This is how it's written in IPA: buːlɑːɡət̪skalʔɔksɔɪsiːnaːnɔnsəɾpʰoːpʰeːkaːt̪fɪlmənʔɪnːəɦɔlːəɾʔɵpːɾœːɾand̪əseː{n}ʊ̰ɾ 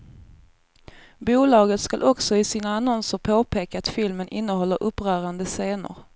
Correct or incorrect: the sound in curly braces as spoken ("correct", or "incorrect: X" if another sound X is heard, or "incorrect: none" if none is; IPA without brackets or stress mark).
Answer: correct